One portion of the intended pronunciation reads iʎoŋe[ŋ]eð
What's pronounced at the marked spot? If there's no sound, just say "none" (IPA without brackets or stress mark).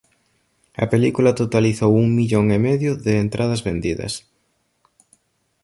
m